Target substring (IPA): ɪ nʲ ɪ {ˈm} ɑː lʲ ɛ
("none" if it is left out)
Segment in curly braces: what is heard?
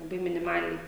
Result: m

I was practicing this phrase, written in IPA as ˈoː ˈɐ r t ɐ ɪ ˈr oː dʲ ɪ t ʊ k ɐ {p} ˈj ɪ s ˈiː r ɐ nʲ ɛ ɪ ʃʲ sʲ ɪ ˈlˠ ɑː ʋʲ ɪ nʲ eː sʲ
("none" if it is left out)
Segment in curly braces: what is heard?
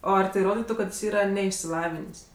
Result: t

